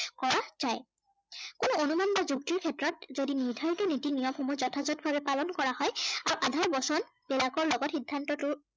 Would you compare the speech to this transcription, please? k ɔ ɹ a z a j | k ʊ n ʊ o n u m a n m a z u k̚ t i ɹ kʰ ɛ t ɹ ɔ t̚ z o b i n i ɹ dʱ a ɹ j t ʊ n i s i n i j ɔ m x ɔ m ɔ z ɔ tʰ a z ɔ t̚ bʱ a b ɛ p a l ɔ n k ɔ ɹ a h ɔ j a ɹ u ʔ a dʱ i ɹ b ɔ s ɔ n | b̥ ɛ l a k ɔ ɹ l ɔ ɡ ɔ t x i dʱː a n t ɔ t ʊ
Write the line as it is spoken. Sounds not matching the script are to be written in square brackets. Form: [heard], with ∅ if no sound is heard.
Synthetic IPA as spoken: k ɔ ɹ a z a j | k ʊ n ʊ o n u m a n [b] a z u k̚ t i ɹ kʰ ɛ t ɹ ɔ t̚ z o [d] i n i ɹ dʱ a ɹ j t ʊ n i [t] i n i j ɔ m x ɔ m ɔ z ɔ tʰ a z ɔ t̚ bʱ a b ɛ p a l ɔ n k ɔ ɹ a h ɔ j a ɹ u ʔ a dʱ [a] ɹ b ɔ s ɔ n | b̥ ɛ l a k ɔ ɹ l ɔ ɡ ɔ t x i dʱː a n t ɔ t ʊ